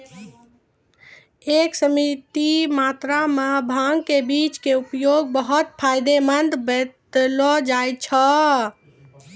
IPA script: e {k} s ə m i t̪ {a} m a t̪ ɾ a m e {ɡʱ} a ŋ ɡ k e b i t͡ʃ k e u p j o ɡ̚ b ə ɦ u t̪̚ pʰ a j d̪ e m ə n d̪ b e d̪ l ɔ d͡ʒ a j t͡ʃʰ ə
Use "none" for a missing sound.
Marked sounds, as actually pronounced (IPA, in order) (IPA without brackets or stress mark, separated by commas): k, i, bʱ